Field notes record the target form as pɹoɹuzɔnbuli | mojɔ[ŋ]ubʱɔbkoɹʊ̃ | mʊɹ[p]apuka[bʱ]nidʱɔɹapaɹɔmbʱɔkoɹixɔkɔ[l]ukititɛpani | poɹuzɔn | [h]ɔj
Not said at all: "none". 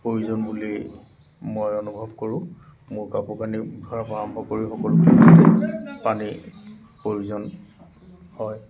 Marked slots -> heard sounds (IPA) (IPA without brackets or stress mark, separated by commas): n, k, none, l, h